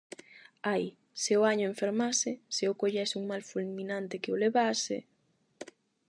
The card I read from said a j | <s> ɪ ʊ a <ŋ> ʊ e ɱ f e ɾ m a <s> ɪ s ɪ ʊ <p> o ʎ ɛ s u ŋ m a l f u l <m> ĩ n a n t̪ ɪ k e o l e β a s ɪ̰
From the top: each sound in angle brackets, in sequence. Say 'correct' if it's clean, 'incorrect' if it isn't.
correct, incorrect: ɲ, correct, incorrect: k, correct

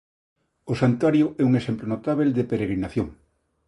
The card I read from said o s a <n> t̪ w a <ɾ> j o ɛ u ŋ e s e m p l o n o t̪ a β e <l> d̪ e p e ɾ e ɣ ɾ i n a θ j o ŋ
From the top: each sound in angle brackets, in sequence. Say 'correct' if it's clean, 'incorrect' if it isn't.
correct, correct, correct

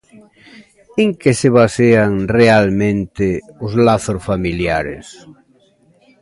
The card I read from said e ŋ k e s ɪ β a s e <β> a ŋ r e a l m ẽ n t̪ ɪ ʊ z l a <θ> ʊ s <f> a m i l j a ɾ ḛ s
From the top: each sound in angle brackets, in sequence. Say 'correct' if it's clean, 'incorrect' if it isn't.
incorrect: none, correct, correct

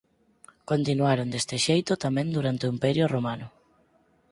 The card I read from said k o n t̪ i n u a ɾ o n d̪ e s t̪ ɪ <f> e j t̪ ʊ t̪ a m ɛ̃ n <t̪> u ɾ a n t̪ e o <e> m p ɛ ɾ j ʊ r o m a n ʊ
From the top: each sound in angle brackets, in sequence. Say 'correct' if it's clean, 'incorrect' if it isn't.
incorrect: ʃ, incorrect: d̪, incorrect: i

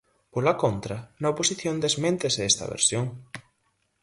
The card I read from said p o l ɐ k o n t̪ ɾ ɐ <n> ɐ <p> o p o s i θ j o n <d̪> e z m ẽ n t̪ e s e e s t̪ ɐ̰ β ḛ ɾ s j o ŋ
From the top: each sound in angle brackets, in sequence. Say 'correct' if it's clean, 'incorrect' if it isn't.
correct, incorrect: none, correct

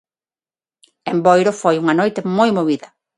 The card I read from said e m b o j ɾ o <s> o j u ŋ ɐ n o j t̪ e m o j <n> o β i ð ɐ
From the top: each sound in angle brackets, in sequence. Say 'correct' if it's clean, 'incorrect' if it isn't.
incorrect: f, incorrect: m

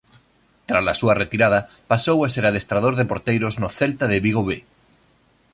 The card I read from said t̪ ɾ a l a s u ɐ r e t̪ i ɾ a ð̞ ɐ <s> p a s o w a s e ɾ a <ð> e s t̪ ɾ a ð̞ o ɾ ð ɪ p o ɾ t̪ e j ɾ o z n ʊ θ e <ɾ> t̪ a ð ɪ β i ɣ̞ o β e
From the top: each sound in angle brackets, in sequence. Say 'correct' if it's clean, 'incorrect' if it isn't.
incorrect: none, correct, incorrect: l

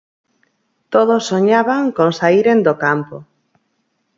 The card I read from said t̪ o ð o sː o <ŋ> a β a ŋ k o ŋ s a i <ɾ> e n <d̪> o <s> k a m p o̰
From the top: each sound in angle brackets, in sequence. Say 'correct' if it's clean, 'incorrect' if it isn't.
incorrect: ɲ, correct, correct, incorrect: none

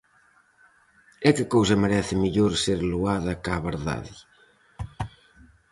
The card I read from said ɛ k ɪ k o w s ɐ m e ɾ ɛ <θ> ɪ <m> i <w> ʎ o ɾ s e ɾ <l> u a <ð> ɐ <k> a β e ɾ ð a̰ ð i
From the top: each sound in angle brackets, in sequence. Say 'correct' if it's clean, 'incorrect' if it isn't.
correct, correct, incorrect: none, correct, correct, correct

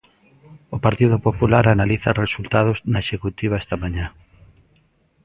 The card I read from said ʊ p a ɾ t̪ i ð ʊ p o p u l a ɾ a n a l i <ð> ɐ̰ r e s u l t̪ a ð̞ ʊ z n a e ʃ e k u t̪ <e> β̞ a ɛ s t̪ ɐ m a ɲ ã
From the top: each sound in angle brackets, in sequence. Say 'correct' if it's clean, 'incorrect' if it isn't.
incorrect: θ, incorrect: i

